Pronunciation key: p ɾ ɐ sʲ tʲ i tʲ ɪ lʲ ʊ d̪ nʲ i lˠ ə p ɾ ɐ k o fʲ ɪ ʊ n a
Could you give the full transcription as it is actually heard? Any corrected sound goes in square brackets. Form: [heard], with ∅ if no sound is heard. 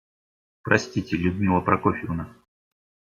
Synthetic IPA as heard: p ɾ ɐ sʲ tʲ i tʲ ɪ lʲ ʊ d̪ [mʲ] i lˠ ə p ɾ ɐ k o fʲ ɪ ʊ n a